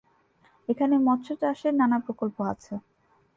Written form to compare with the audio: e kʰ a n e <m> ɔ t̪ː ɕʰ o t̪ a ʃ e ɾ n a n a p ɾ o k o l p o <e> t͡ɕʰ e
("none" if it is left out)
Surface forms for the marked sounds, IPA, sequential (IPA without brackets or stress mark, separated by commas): m, a